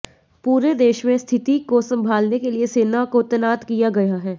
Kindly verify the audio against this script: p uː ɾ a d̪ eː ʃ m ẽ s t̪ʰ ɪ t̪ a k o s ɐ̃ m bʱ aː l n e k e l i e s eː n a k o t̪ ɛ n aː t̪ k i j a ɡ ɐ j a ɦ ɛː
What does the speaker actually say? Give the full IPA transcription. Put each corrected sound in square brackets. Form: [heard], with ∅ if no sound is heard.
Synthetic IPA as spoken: p uː ɾ [e] d̪ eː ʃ m ẽ s t̪ʰ ɪ t̪ [i] k o s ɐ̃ m bʱ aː l n e k e l i e s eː n a k o t̪ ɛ n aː t̪ k i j a ɡ ɐ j a ɦ ɛː